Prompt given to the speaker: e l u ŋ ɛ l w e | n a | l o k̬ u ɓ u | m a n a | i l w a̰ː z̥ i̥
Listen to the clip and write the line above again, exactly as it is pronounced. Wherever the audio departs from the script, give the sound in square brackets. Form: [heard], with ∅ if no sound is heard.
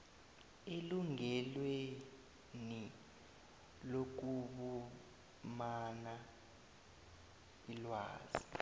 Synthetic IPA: e l u ŋ ɛ l w e | n [i] | l o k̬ u ɓ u | m a n a | i l w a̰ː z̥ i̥